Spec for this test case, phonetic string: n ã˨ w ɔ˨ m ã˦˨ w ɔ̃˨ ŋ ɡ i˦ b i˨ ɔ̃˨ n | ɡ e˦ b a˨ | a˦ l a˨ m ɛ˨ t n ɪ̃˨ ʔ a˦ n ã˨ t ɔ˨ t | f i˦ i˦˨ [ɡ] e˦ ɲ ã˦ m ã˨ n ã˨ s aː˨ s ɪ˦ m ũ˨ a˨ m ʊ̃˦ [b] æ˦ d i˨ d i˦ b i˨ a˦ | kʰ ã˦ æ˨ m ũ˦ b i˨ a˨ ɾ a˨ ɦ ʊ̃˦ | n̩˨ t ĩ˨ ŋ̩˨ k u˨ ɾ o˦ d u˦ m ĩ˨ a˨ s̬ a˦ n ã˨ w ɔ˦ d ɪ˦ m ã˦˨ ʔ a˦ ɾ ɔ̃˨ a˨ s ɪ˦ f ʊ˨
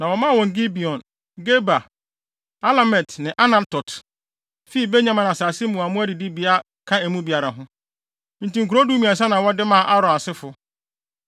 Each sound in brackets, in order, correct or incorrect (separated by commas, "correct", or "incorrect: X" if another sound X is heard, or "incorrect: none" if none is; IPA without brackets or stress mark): incorrect: b, incorrect: none